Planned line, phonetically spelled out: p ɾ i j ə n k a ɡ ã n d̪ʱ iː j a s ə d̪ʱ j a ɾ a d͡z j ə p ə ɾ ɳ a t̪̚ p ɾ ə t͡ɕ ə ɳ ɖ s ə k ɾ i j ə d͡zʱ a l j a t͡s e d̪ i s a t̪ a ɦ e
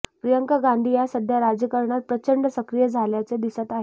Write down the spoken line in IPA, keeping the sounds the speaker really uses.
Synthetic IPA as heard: p ɾ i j ə ŋ k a ɡ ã n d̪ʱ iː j a s ə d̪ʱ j a ɾ a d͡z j ə k ə ɾ ɳ a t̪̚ p ɾ ə t͡ɕ ə ɳ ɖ s ə k ɾ i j ə d͡zʱ a l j a t͡s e d̪ i s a t̪ a ɦ e